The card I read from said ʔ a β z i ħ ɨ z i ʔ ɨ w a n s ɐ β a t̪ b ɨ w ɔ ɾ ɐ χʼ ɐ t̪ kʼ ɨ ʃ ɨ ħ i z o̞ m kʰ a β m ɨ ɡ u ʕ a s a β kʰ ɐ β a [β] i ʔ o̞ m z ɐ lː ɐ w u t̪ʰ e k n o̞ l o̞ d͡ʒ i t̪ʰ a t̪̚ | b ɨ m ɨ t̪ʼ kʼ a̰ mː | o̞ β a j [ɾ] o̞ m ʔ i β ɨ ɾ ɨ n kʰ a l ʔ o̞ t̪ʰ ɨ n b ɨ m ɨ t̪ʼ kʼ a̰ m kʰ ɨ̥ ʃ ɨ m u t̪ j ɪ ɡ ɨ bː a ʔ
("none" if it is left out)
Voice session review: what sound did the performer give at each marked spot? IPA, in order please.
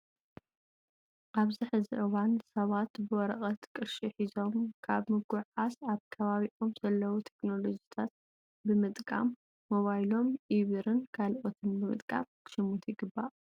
β, l

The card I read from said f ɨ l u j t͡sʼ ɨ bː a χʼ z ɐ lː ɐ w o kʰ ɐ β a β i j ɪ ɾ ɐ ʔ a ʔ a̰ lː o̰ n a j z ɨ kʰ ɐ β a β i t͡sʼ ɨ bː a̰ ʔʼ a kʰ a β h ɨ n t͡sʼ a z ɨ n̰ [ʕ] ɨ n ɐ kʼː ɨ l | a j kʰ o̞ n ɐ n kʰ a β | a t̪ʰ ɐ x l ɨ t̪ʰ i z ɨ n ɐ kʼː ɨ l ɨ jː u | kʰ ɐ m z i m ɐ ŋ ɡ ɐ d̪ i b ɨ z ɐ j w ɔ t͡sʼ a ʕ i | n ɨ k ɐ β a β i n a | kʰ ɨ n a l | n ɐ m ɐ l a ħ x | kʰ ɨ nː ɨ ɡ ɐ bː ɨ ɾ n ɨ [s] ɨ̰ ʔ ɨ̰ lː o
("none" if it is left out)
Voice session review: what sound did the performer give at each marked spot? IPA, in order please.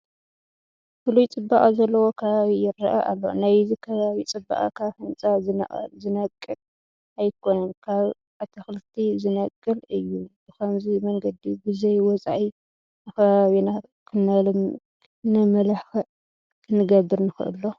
z, x

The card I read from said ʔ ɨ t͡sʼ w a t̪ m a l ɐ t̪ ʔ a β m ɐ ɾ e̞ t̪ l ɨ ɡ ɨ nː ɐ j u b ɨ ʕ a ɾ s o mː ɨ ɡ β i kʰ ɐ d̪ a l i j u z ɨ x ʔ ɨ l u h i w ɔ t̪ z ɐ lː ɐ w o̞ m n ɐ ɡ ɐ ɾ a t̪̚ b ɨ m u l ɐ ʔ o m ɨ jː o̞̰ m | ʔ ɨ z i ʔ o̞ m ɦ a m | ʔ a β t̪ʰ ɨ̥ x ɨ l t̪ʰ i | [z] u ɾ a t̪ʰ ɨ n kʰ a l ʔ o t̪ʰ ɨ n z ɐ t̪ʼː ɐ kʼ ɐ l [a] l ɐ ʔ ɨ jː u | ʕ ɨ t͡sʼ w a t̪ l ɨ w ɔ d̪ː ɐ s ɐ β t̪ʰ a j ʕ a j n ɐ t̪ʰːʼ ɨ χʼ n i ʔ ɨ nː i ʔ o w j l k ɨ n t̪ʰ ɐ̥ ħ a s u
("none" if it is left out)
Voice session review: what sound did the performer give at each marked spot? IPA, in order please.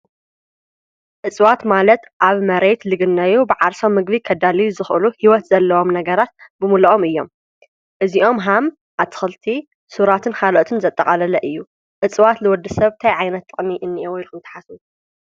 s, ɐ

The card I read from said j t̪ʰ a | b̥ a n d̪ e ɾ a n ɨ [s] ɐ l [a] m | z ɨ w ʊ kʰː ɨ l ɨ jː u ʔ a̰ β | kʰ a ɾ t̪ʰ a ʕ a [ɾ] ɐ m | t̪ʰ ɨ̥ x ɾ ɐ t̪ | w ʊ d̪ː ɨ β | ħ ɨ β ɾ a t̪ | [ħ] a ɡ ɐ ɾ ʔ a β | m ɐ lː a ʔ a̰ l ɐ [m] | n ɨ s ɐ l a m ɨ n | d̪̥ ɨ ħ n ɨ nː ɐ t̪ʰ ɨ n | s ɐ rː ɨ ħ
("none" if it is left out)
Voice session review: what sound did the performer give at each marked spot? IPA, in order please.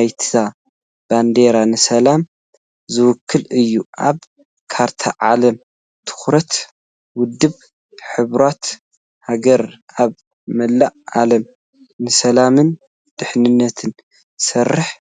s, a, l, h, m

